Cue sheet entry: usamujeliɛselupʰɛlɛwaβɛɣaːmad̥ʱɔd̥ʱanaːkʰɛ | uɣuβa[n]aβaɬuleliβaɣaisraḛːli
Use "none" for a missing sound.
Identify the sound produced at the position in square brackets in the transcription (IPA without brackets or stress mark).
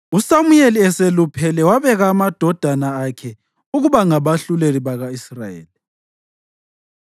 ŋ